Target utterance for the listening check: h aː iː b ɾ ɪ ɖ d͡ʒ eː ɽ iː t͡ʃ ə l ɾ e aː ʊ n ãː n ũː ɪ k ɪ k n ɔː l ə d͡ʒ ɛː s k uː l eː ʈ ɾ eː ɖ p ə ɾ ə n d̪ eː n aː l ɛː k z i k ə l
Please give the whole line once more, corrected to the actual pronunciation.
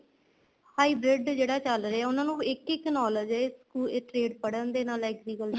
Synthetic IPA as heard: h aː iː b ɾ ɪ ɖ d͡ʒ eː ɽ aː t͡ʃ ə l ɾ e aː ʊ n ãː n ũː ɪ k ɪ k n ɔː l ə d͡ʒ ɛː s k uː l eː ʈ ɾ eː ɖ p ə ɽ ə n d̪ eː n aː l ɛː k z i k ə l